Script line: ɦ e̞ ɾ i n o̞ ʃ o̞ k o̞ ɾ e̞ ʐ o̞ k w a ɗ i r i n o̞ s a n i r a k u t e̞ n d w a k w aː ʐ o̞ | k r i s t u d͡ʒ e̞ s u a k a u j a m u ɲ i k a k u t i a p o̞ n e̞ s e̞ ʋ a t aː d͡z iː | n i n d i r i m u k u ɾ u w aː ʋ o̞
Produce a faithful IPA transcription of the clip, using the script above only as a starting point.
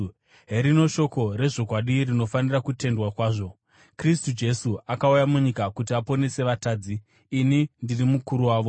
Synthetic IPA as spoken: ɦ e̞ ɾ i n o̞ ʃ o̞ k o̞ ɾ e̞ ʐ o̞ k w a ɗ i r i n o̞ f a n i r a k u t e̞ n d w a k w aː ʐ o̞ | k r i s t u d͡ʒ e̞ s u a k a u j a m u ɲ i k a k u t i a p o̞ n e̞ s e̞ ʋ a t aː d͡z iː | n i n d i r i m u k u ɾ u w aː ʋ o̞